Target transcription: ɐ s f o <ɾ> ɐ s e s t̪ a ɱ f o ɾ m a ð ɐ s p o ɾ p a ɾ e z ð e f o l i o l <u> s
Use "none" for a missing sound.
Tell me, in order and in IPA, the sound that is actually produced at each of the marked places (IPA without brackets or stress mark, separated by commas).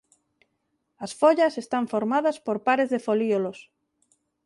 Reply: ʎ, o